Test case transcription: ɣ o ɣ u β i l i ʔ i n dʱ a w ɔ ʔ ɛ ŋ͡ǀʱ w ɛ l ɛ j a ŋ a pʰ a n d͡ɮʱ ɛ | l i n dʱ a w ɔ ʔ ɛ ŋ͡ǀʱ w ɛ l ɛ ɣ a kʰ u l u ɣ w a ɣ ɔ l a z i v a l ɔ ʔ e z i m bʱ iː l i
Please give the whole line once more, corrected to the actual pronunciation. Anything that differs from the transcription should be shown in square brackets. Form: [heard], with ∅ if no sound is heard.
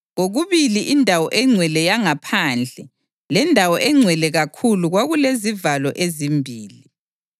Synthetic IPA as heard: ɣ o ɣ u β i l i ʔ i n dʱ a w ɔ ʔ ɛ ŋ͡ǀʱ w ɛ l ɛ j a ŋ a pʰ a n d͡ɮʱ ɛ | l [ɛ] n dʱ a w ɔ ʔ ɛ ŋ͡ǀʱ w ɛ l ɛ ɣ a kʰ u l u ɣ w a ɣ [u] l [e] z i v a l ɔ ʔ e z i m bʱ iː l i